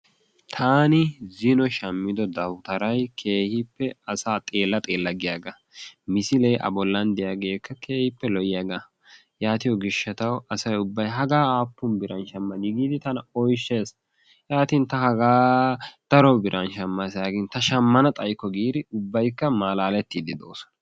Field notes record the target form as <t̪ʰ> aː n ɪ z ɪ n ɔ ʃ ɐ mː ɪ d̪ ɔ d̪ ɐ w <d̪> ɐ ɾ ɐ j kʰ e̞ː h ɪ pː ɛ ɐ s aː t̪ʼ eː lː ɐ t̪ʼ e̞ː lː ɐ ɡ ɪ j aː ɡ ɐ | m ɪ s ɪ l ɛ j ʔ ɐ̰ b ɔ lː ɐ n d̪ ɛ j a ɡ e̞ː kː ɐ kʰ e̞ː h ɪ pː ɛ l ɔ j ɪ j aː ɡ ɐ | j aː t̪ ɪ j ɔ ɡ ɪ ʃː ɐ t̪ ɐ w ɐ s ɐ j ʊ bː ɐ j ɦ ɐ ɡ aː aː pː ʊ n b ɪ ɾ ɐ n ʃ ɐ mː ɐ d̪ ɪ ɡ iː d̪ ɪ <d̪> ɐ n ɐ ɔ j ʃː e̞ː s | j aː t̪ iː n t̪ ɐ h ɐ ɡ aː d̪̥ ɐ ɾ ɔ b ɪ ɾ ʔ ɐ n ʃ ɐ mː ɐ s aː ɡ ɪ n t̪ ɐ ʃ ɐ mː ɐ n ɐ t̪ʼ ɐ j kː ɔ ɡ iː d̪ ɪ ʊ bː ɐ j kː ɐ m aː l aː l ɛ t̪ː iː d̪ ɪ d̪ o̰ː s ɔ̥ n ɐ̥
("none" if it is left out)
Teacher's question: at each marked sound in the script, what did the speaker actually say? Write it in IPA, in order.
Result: t̪ʰ, t̪, t̪

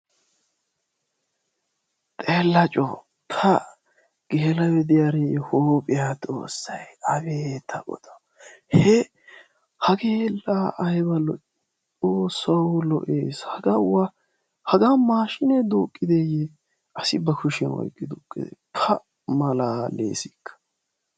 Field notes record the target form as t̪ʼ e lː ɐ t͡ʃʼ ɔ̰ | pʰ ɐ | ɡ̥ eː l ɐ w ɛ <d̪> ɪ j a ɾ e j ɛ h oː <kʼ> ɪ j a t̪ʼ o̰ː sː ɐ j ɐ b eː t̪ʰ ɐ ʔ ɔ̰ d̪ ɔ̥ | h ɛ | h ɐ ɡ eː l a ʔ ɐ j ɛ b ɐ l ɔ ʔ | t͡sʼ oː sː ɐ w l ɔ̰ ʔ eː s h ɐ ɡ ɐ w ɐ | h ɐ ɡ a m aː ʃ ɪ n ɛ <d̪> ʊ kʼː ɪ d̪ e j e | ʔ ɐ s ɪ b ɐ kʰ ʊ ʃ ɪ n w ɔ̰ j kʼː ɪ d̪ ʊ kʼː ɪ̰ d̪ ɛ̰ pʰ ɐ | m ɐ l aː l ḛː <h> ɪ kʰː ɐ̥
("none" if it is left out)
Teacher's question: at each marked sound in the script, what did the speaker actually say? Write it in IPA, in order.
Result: d̪, pʼ, d̪, s

